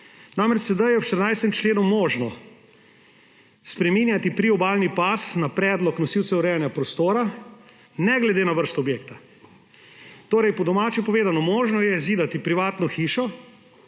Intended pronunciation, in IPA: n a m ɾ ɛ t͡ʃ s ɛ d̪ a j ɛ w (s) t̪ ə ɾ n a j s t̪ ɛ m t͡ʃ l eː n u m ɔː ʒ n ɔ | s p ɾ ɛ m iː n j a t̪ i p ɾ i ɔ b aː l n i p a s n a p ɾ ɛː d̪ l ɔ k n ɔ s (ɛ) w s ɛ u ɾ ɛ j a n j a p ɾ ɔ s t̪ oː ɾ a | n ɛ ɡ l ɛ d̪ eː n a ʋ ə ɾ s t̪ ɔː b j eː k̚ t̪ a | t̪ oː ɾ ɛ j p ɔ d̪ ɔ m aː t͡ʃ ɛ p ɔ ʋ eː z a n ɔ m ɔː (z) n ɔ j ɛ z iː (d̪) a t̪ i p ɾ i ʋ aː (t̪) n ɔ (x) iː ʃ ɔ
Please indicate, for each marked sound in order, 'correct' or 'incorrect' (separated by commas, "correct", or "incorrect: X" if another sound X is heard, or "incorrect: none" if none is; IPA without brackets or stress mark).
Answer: incorrect: ʃ, incorrect: i, incorrect: ʒ, correct, correct, correct